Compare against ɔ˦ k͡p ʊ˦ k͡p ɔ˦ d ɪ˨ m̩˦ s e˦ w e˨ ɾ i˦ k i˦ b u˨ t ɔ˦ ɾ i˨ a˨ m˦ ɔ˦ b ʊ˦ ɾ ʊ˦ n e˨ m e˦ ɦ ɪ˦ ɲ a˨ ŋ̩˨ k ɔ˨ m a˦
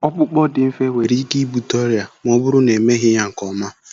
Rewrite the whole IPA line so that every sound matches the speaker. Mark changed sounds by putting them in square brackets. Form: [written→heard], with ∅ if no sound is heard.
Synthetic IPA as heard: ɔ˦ k͡p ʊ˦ k͡p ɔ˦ d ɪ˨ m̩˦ [s→f] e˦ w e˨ ɾ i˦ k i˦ b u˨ t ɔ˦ ɾ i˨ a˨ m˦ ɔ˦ b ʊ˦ ɾ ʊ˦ n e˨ m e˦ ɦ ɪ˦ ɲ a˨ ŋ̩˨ k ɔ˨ m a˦